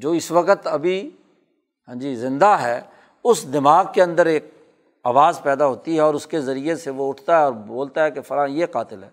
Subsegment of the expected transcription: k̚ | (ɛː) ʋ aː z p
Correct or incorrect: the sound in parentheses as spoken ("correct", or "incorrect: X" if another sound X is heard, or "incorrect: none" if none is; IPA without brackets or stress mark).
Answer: incorrect: aː